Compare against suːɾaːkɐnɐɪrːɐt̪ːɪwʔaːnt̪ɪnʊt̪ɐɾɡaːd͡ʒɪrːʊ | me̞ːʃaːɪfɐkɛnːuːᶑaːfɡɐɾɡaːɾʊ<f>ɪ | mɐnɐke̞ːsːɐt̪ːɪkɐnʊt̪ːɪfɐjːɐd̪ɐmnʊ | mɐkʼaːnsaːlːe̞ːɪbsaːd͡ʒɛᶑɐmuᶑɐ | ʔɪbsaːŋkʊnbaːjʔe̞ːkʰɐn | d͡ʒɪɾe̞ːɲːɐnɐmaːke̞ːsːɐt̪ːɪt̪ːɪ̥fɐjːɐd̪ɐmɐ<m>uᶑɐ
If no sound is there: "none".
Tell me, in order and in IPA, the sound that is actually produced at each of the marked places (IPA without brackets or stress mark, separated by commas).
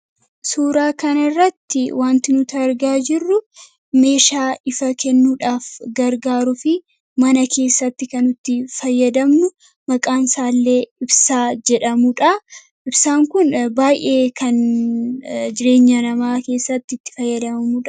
f, m